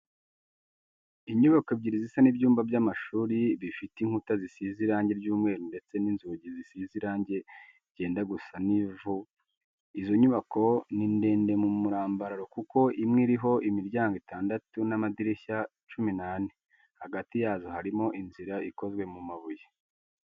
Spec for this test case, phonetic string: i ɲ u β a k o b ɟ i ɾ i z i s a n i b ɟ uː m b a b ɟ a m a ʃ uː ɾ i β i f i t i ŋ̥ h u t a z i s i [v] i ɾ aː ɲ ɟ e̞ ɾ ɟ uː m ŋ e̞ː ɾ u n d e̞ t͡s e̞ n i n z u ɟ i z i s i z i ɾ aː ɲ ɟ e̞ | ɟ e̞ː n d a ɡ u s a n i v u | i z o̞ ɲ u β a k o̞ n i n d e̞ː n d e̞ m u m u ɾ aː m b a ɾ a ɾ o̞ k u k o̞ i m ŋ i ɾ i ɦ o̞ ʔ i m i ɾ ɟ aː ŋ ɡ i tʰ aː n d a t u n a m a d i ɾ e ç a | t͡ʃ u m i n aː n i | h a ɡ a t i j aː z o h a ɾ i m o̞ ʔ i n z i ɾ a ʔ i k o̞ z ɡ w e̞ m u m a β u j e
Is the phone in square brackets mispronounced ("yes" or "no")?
yes